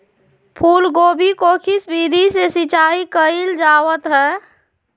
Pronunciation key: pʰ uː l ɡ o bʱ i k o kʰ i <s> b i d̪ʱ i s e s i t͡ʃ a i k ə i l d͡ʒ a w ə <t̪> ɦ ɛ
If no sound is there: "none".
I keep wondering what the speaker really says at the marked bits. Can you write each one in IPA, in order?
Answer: s, t̪

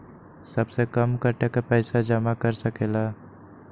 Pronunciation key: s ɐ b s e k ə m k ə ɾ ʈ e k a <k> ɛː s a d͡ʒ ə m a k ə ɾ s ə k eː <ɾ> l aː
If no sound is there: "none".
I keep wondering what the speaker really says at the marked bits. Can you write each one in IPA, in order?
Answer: p, none

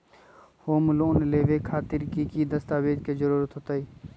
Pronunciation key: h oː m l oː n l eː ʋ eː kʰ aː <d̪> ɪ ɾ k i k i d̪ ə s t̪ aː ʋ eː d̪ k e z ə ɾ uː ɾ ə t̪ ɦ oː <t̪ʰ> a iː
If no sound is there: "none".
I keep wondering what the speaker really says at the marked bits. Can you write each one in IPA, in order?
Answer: t̪, t̪

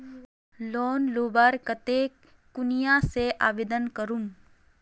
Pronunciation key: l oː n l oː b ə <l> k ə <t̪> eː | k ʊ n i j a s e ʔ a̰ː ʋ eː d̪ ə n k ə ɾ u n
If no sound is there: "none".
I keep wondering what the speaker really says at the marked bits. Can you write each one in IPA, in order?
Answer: ɾ, t̪

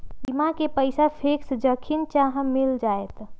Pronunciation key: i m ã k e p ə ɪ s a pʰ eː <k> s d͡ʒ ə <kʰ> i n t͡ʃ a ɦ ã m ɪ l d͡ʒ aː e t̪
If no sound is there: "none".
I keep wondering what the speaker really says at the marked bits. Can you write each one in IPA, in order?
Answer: k, kʰ

